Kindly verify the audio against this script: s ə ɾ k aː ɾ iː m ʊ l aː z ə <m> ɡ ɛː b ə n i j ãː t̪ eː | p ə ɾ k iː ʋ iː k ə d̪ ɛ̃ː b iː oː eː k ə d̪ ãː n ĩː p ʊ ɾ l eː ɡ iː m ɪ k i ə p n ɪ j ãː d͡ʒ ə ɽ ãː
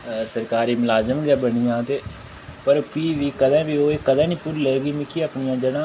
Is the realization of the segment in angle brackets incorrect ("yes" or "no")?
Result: no